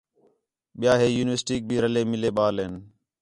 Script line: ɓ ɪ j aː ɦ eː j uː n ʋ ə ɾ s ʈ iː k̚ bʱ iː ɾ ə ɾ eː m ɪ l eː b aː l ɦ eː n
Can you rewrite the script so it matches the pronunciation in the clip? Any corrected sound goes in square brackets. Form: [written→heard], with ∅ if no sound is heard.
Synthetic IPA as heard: ɓ ɪ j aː ɦ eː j uː n ʋ ə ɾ s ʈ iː k̚ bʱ iː ɾ ə [ɾ→l] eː m ɪ l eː [b→ɓ] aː l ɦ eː n